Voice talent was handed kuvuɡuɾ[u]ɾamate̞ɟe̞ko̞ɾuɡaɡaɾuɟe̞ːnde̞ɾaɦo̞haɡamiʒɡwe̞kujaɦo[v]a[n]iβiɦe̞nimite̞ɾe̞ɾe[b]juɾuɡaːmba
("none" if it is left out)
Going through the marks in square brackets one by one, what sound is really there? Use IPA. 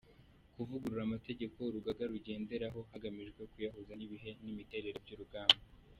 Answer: u, z, n, b

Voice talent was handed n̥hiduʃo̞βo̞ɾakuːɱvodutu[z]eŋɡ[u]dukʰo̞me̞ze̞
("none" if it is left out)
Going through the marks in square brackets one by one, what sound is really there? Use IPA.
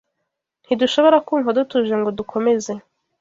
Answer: ʒ, o

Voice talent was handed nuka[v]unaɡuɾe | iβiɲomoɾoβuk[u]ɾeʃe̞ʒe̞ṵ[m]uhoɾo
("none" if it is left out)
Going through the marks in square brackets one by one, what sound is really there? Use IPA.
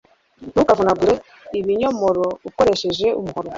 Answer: v, o, m

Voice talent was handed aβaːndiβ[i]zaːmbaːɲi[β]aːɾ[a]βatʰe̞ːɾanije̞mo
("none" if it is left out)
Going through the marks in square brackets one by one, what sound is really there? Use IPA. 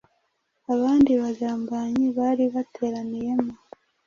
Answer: a, β, i

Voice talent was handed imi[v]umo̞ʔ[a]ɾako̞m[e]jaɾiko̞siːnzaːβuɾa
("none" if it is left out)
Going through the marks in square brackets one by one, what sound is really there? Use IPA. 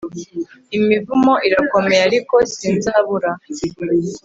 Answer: v, i, e

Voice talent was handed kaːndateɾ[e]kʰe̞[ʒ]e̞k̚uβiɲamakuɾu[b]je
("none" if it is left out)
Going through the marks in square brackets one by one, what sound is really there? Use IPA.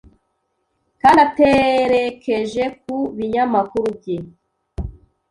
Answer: e, ʒ, b

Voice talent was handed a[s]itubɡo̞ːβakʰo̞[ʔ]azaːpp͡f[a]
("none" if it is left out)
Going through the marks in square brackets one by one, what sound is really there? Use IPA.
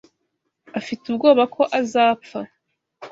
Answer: f, ʔ, a

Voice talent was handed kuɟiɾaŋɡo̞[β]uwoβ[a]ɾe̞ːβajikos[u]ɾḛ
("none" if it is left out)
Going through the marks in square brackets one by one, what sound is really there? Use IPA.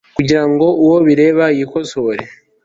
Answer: none, i, o

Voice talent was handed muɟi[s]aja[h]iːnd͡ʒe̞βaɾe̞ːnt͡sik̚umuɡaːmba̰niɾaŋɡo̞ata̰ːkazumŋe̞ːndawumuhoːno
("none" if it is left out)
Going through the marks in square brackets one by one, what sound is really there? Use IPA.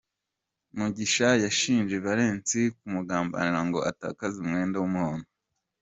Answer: ʃ, ʃ

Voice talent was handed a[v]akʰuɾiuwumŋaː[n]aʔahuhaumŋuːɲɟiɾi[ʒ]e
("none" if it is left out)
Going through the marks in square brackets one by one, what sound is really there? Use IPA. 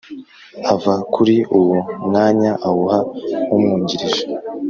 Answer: v, ɲ, ʒ

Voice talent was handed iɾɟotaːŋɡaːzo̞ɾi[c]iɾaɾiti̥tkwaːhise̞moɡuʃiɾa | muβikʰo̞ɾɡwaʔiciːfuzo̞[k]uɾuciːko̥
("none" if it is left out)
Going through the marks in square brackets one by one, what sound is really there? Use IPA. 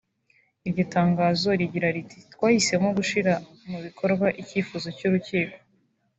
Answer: ɟ, c

